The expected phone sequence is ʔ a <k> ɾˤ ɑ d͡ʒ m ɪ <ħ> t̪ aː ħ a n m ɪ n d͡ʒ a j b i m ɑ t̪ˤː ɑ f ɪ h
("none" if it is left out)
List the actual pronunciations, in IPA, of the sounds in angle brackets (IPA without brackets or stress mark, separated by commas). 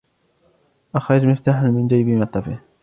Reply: x, f